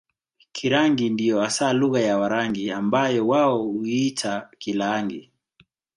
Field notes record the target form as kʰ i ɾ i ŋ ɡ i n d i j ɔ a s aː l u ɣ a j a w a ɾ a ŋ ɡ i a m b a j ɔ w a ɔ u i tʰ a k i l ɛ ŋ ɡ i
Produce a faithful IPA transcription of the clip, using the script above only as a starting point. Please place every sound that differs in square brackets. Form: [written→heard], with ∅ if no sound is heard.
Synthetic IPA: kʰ i ɾ [i→a] ŋ ɡ i n d i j ɔ a s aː l u ɣ a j a w a ɾ a ŋ ɡ i a m b a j ɔ w a ɔ u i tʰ a k i l [ɛ→a] ŋ ɡ i